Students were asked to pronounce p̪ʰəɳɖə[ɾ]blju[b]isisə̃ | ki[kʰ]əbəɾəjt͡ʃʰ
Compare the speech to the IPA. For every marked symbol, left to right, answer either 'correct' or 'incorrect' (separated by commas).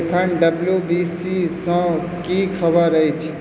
incorrect, correct, correct